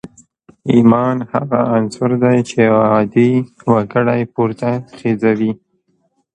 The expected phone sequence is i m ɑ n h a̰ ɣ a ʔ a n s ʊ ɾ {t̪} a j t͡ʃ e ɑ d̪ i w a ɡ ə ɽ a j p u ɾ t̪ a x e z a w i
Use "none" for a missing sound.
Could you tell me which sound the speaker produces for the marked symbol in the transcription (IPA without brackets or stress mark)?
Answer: d̪